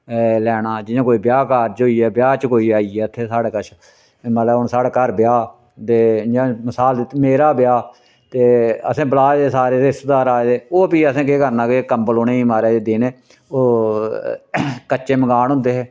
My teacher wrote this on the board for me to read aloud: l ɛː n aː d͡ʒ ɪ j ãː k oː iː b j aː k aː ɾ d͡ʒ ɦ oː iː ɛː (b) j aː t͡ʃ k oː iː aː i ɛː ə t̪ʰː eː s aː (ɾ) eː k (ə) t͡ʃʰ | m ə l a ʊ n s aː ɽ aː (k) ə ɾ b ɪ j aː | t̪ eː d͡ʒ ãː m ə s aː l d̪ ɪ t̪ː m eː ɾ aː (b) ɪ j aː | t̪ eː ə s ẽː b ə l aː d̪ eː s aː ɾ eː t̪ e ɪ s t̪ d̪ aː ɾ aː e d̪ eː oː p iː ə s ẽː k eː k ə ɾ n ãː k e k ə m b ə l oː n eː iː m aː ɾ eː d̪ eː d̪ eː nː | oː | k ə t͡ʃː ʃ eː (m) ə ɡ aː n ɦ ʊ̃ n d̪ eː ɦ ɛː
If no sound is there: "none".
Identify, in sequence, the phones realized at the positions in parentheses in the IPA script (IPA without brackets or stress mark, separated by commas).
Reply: b, ɽ, ə, k, b, m